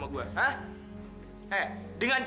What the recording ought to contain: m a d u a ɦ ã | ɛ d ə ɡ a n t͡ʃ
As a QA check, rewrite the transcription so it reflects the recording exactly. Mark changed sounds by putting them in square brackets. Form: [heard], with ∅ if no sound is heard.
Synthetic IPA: m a [ɡ] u a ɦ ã | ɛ d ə [ŋ] a n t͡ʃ